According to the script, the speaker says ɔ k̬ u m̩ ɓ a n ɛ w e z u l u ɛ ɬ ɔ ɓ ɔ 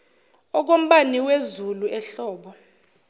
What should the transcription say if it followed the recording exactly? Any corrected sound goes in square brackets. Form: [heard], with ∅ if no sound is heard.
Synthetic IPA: ɔ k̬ [o] m̩ ɓ a n [i] w e z u l u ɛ ɬ [ɔː] ɓ ɔ

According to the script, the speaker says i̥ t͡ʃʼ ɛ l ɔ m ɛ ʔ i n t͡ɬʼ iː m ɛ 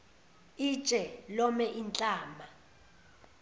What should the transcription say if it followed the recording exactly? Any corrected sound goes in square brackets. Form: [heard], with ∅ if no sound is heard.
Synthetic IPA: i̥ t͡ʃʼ ɛ l ɔ m ɛ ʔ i n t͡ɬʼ [aː] m [a]

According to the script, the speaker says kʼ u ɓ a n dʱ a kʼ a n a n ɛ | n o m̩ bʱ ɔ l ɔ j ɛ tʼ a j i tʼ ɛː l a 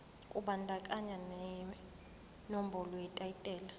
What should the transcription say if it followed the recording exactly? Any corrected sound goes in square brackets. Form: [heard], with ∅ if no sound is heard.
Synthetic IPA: kʼ u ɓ a n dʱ a kʼ a [ɲ] a n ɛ | n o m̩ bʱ ɔ l ɔ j ɛ tʼ a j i tʼ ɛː l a

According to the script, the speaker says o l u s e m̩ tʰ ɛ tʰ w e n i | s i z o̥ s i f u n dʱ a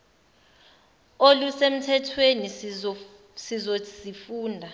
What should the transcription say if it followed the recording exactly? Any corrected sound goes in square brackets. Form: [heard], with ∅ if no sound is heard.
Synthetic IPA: o l u s e m̩ tʰ ɛ tʰ w e n i | s i z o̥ s i f [uː] n dʱ a

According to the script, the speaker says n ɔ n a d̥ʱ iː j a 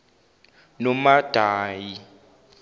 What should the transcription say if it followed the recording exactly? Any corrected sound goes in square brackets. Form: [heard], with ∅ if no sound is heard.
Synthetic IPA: n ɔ [m] a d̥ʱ [aː] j [i]

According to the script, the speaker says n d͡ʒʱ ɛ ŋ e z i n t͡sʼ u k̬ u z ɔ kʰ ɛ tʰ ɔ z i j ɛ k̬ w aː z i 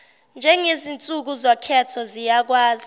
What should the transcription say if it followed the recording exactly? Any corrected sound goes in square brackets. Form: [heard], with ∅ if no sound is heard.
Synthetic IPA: n d͡ʒʱ ɛ ŋ e z i n t͡sʼ u k̬ u z ɔ kʰ ɛ tʰ ɔ z i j [a] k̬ w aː z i

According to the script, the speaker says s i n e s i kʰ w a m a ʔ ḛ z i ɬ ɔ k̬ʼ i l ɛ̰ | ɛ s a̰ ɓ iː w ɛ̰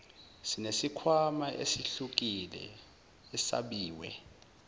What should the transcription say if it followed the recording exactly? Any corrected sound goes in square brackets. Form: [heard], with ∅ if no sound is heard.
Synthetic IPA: s i n e s i kʰ w a m a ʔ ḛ [s] i ɬ [u] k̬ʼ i l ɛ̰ | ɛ s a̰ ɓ iː w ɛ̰

